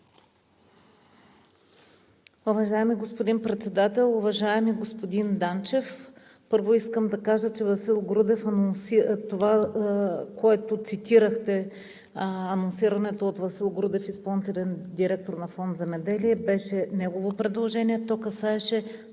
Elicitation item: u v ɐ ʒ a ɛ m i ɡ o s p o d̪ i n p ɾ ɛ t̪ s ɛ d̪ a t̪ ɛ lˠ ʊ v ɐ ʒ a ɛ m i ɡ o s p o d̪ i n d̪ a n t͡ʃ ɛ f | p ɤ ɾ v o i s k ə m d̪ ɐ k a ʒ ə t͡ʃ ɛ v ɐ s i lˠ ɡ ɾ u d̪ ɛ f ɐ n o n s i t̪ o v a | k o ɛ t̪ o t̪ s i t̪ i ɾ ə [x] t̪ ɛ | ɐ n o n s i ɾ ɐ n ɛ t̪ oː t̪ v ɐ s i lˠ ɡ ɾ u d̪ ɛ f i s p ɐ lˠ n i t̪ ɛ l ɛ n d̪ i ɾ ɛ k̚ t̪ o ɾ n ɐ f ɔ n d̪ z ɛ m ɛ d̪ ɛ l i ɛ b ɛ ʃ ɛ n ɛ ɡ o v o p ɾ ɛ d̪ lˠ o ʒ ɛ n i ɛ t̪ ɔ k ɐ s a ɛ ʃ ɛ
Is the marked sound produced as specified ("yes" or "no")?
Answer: yes